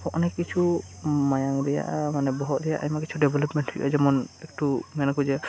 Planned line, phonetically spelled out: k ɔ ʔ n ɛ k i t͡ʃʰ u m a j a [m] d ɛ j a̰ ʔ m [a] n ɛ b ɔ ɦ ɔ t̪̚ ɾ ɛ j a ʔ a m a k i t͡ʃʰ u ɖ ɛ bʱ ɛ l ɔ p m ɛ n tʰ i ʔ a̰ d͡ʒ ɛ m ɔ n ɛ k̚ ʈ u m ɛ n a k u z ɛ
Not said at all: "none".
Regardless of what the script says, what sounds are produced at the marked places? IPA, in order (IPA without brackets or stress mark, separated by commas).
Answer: ŋ, a